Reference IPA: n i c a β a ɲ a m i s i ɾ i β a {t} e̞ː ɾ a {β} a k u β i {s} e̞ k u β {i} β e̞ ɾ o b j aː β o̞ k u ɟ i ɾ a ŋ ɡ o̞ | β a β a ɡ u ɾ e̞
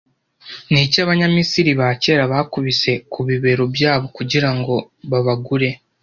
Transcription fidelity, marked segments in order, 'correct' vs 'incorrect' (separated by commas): incorrect, correct, correct, correct